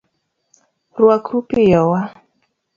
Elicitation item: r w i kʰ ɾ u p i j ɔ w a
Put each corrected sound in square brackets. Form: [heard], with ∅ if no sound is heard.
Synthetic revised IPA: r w [a] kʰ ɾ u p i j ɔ w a